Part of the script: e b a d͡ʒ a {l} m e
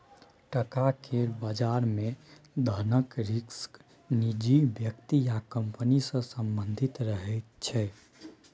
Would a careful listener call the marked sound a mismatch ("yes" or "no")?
yes